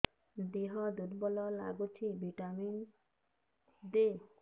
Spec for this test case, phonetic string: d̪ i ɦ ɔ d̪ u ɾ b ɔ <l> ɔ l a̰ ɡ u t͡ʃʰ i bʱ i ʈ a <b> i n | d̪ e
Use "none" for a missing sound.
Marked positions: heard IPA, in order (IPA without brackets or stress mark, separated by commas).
l, m